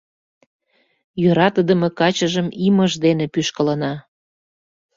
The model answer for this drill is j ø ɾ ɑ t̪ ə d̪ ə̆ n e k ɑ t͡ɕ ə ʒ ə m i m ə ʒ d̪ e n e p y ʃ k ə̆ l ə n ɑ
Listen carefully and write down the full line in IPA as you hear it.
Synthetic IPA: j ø ɾ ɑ t̪ ə d̪ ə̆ m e k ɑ t͡ɕ ə ʒ ə m i m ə ʒ d̪ e n e p y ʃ k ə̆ l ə n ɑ